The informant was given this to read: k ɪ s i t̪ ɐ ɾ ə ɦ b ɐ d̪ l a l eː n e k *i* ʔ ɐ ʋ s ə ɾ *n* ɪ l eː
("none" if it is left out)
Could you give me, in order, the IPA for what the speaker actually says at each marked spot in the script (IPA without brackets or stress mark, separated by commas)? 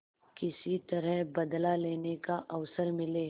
a, m